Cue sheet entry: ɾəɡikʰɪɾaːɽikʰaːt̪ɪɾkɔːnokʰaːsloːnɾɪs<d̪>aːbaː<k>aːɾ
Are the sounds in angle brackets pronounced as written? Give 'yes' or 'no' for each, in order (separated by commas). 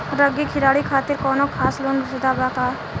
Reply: yes, yes